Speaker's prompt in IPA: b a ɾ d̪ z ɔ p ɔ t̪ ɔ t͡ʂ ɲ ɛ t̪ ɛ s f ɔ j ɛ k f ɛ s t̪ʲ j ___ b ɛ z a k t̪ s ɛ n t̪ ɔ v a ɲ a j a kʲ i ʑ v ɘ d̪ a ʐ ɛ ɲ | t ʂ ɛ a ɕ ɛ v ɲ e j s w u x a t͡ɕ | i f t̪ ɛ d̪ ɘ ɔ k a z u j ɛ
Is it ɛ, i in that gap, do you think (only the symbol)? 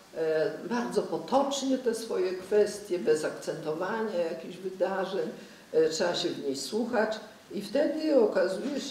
ɛ